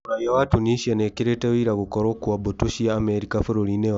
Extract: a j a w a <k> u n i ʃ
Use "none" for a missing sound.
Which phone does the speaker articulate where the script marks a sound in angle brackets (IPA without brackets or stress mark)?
t